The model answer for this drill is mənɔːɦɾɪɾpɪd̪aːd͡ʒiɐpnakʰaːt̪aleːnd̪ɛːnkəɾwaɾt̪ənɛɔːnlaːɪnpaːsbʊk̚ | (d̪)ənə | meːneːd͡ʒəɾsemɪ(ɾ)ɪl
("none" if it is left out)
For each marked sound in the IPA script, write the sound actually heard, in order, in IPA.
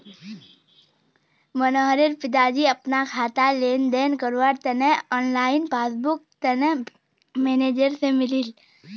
t̪, l

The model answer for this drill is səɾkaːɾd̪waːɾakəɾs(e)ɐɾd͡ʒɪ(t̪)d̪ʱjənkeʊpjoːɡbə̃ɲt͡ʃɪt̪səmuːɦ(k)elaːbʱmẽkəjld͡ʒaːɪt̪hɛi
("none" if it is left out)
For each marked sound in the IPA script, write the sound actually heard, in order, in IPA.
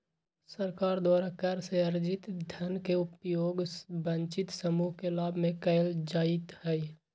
e, t̪, k

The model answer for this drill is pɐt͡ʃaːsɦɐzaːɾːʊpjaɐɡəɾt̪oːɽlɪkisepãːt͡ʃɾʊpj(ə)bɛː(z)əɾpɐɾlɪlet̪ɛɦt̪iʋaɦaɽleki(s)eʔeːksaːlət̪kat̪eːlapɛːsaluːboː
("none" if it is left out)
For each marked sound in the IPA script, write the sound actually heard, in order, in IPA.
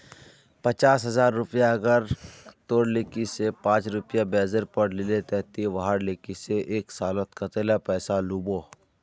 a, z, s

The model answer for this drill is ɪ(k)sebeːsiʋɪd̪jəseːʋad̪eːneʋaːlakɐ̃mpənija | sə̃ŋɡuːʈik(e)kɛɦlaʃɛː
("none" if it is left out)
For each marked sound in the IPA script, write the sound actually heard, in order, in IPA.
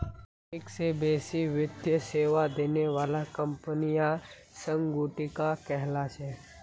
k, a

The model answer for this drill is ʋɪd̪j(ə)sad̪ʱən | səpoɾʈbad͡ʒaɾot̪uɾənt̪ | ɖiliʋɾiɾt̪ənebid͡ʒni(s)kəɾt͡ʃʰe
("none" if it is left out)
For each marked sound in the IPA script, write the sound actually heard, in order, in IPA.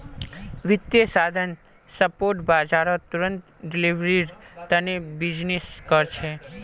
ə, s

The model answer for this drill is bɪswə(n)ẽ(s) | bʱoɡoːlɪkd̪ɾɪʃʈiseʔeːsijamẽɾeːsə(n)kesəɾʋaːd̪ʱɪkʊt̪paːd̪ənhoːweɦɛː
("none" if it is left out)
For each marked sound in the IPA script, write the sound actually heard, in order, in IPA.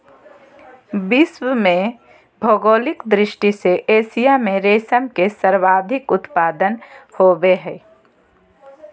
m, none, m

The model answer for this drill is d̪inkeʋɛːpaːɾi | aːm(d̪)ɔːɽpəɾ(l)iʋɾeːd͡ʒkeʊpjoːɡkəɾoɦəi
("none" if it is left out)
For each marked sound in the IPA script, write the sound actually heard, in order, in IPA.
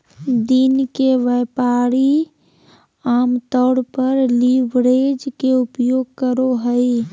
t̪, l

